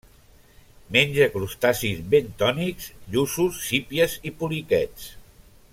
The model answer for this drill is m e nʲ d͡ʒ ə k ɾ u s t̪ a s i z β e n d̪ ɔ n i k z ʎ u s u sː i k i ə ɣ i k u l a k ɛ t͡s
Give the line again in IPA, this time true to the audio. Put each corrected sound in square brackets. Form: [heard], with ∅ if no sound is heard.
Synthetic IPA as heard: m e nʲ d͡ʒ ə k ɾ u s t̪ a s i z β e n [t̪] ɔ n i k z ʎ u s u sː i [p] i ə [z] i [p] u l [i] k ɛ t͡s